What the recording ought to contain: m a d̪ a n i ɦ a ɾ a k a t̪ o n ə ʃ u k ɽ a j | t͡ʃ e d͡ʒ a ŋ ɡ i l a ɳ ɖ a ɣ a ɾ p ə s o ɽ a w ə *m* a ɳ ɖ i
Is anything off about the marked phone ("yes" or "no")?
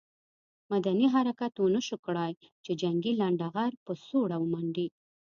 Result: no